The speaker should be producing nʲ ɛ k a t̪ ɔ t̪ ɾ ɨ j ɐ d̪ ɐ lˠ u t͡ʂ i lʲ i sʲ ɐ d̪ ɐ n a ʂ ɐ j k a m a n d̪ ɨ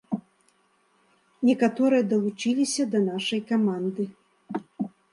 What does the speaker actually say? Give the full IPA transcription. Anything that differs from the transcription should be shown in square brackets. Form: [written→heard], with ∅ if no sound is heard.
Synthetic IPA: nʲ ɛ k a t̪ ɔ [t̪→∅] ɾ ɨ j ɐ d̪ ɐ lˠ u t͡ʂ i lʲ i sʲ ɐ d̪ ɐ n a ʂ ɐ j k a m a n d̪ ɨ